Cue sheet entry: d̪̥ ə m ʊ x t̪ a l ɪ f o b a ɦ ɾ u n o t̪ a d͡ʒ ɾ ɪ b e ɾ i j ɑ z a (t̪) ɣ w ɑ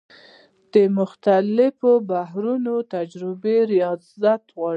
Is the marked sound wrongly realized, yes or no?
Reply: no